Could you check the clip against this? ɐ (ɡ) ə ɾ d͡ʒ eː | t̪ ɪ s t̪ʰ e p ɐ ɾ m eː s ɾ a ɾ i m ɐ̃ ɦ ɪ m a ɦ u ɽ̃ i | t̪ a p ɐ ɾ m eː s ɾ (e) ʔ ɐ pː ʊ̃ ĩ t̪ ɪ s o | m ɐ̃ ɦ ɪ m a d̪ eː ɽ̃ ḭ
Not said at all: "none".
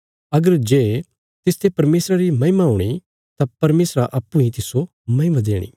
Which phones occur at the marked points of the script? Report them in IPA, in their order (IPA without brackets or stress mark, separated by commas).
ɡ, a